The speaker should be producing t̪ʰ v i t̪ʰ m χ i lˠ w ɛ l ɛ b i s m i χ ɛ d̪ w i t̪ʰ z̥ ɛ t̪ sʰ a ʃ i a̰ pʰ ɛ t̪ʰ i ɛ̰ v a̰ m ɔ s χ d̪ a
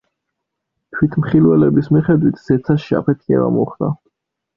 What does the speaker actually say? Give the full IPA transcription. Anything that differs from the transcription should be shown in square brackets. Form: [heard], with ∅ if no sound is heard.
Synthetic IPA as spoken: t̪ʰ [w] i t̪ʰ m χ i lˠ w ɛ l ɛ b i s m i χ ɛ d̪ w i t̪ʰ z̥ ɛ t̪ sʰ a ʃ i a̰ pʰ ɛ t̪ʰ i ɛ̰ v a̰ m ɔ [∅] χ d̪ a